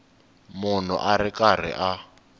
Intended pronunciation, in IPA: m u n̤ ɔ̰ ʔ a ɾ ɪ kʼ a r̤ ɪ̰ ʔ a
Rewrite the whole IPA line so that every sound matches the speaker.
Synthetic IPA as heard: m ʊ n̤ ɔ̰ ʔ a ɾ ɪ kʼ a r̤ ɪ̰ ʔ a

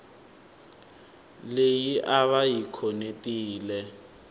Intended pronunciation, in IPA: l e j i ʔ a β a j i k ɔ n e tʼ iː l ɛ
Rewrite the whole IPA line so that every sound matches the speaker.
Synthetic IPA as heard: l e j i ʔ a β a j i kʰ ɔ n e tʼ iː l ɛ

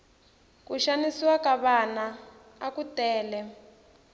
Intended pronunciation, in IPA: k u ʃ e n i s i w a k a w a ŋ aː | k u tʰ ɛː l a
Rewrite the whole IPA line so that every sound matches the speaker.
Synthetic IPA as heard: k u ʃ a n i s i w a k a β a n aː | k u t ɛː l ɛ

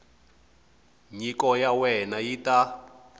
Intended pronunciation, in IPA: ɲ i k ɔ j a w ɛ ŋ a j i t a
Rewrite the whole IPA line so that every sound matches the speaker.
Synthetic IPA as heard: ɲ i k ɔ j a w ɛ n a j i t a

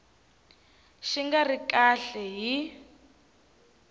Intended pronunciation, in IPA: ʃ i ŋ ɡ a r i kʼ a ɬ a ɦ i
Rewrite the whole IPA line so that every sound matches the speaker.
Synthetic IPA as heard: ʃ i ŋ ɡ a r i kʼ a ɬ ɛ ɦ i

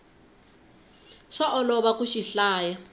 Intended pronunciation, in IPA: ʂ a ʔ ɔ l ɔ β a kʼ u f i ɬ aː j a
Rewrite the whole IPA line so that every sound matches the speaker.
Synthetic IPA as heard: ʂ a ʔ ɔ l ɔ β a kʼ u ʃ i ɬ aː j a

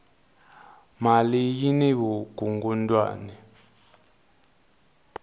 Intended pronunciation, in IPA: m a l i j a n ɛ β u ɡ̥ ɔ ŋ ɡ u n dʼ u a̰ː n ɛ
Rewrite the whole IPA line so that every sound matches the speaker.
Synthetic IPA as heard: m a l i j i n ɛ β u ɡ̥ u ŋ ɡ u n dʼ w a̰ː n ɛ

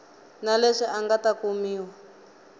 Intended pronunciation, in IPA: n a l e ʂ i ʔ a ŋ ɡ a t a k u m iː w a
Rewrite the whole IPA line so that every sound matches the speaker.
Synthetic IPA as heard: n a l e ʂ i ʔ a ŋ ɡ a t a k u m iː w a

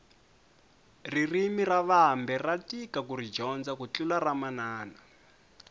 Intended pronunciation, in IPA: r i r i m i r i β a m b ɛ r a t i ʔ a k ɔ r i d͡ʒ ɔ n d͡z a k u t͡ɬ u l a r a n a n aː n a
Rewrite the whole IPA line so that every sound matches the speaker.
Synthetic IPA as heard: r i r i m i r a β a m b ɛ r a t i k a k u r i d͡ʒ ɔ n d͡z a k u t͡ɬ u l a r a m a n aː n a

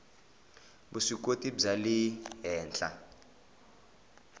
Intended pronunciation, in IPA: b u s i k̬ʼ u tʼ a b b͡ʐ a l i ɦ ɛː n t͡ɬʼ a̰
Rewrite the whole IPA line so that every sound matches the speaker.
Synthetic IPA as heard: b u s i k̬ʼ o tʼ i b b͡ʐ a l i ɦ ɛː n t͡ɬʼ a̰

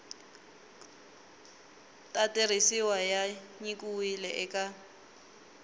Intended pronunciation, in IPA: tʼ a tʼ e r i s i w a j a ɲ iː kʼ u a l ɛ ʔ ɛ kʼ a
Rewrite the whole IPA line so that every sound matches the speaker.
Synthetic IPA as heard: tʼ a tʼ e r i s i w a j a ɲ i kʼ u i l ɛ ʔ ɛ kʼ a

